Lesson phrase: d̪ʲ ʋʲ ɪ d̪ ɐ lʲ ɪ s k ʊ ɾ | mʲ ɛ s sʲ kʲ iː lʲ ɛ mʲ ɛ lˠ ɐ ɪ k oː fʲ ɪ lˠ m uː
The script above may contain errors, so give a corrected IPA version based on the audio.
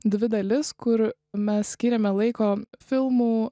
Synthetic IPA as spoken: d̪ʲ ʋʲ ɪ d̪ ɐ lʲ ɪ s k ʊ ɾ | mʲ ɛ s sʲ kʲ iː ɾʲ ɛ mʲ ɛ lˠ ɐ ɪ k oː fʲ ɪ lˠ m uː